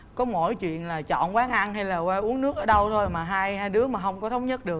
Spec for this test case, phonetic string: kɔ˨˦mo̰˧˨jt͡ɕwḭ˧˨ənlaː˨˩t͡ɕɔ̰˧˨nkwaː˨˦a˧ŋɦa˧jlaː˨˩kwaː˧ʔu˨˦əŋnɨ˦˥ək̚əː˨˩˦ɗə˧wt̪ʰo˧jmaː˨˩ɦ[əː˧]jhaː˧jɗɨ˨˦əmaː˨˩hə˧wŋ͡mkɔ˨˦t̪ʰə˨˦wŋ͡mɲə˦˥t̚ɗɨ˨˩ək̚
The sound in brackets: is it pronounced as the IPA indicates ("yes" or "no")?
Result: no